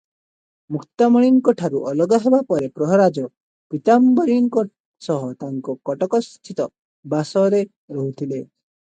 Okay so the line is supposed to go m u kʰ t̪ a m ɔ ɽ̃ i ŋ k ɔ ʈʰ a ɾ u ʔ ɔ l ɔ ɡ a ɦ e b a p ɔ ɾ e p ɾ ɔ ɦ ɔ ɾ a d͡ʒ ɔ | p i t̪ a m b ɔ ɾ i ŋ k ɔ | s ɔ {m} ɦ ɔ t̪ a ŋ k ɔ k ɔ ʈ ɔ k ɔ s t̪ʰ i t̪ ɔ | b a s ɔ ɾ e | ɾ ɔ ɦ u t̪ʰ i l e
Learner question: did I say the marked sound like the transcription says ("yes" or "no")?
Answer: no